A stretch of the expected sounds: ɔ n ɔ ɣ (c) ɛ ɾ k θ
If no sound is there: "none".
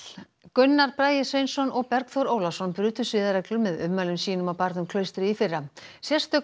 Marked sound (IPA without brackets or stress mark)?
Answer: p